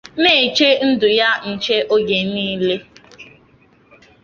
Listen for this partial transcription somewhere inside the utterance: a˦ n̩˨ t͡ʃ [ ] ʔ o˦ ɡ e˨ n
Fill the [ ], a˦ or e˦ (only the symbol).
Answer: e˦